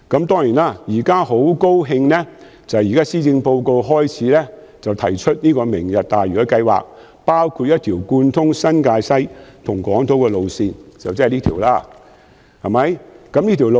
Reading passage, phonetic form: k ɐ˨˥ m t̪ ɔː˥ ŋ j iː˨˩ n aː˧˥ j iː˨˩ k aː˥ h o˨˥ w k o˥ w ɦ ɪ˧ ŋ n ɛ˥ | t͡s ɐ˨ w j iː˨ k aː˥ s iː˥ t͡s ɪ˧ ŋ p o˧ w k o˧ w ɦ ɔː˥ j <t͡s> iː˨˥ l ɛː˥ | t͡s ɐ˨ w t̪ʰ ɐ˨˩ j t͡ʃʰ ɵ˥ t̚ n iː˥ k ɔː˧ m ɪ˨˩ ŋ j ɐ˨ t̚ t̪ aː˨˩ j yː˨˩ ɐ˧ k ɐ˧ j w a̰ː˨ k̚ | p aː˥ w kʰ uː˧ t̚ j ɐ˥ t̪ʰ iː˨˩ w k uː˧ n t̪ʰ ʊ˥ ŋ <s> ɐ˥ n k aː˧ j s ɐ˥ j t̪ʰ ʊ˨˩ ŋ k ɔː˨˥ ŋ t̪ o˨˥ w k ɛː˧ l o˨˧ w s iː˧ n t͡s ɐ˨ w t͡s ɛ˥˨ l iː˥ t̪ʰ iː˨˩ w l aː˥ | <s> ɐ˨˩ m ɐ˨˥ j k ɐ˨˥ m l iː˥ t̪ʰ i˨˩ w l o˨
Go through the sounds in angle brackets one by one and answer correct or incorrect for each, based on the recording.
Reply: incorrect, correct, incorrect

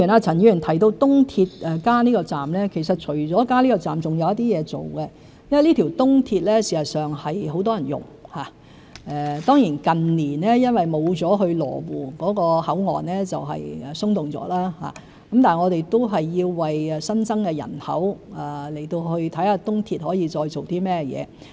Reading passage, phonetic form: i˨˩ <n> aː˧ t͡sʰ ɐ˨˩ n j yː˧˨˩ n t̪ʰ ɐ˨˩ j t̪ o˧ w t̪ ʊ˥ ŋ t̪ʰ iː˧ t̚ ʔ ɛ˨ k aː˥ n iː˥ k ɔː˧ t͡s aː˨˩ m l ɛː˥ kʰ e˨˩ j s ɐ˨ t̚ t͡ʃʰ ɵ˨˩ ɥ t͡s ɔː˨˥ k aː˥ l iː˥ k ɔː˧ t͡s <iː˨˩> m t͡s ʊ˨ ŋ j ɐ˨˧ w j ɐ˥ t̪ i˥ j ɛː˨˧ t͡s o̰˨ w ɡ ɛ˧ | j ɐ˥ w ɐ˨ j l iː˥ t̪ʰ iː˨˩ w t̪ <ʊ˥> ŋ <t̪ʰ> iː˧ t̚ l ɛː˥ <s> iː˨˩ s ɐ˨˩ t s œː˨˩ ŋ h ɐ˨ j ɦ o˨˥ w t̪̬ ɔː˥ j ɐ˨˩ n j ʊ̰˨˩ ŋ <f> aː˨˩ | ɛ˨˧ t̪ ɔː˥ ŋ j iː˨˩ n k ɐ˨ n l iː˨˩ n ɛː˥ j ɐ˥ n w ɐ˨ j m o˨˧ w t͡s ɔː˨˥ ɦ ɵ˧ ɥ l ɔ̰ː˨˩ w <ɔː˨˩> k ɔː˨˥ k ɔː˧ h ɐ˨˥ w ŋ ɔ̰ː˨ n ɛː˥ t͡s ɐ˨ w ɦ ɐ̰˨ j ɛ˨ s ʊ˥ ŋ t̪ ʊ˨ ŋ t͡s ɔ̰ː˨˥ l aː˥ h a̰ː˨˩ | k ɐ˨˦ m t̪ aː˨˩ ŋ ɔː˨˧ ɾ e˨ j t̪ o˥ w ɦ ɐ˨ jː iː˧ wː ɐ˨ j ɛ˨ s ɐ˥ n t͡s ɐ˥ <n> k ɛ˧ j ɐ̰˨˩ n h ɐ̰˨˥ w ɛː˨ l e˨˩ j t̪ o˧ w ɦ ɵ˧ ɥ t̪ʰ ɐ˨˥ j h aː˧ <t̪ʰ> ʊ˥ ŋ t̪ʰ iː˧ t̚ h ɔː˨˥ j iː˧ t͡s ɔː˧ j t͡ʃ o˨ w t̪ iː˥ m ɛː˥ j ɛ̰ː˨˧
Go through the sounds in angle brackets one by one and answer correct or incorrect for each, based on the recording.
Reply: correct, incorrect, correct, correct, correct, incorrect, incorrect, incorrect, incorrect

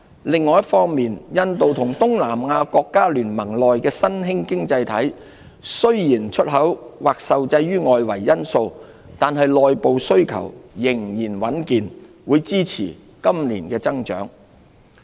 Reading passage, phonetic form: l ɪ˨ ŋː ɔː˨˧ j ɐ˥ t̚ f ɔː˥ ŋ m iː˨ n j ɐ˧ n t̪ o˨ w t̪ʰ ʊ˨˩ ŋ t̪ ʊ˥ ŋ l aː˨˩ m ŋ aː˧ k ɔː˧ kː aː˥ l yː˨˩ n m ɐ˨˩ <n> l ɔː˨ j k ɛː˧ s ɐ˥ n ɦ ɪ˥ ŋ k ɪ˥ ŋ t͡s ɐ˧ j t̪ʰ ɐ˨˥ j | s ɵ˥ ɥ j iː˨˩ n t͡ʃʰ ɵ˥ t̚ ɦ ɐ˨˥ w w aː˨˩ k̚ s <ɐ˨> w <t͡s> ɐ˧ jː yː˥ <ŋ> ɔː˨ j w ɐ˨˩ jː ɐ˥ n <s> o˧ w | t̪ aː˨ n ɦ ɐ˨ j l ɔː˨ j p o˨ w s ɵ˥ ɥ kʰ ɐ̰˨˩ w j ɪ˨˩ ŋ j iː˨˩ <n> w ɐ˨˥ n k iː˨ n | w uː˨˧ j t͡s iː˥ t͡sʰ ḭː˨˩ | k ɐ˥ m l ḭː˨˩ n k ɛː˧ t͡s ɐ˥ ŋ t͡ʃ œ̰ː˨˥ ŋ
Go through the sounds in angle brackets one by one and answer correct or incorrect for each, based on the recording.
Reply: incorrect, correct, correct, correct, correct, correct

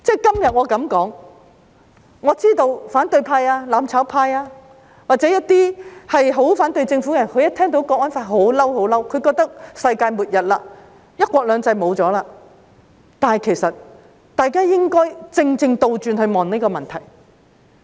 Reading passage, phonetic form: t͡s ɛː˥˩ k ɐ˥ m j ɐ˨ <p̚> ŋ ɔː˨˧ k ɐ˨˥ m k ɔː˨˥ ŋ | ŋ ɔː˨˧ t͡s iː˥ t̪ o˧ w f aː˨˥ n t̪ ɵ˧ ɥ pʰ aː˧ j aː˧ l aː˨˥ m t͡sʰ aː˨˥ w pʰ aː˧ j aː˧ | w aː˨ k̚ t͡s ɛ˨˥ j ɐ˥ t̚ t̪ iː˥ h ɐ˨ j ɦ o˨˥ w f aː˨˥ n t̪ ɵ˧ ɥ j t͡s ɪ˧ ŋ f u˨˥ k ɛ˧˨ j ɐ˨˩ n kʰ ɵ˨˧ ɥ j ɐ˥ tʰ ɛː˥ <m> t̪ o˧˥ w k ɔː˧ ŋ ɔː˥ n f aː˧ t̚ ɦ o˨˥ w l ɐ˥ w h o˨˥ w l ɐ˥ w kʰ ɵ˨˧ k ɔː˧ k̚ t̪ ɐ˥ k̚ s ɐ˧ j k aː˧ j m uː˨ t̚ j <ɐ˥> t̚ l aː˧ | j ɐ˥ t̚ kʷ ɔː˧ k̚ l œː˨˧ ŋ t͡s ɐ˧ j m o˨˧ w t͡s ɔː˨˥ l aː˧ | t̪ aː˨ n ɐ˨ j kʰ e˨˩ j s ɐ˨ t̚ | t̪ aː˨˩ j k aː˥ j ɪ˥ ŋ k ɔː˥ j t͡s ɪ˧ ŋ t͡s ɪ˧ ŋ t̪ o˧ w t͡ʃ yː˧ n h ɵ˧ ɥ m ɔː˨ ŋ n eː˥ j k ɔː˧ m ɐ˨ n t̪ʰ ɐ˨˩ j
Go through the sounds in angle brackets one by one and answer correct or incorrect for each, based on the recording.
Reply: incorrect, incorrect, incorrect

